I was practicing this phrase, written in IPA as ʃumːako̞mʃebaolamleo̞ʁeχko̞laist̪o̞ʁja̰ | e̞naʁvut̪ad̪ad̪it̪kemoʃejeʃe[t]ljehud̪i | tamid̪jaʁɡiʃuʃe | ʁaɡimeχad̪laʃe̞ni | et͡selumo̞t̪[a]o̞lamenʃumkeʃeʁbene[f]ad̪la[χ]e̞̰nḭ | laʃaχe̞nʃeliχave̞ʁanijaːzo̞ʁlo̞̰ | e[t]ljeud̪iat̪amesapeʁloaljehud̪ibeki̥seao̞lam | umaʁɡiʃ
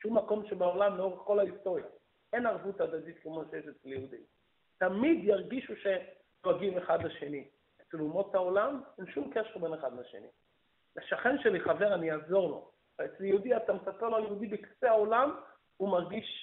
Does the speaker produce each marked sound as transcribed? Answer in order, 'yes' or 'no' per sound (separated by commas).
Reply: no, yes, no, no, no